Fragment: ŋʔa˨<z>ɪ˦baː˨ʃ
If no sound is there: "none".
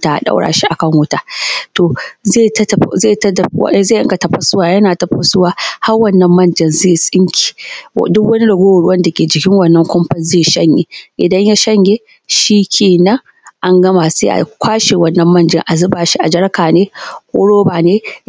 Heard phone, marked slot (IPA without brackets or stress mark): z